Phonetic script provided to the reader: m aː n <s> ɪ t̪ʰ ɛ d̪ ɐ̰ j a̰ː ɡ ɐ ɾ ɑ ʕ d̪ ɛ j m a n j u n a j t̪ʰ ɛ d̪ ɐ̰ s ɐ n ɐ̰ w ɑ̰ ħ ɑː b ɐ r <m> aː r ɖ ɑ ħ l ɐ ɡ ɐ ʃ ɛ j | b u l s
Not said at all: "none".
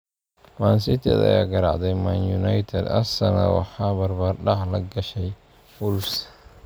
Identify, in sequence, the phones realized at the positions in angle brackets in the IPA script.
s, b

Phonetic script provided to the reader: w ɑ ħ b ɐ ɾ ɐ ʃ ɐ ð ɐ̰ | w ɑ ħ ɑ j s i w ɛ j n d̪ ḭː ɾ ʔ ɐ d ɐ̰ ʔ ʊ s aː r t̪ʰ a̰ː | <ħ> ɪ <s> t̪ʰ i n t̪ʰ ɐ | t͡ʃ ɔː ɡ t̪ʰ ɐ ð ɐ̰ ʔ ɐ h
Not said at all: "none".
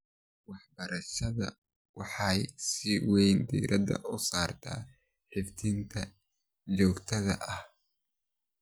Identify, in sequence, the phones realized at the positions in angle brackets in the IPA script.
ħ, f

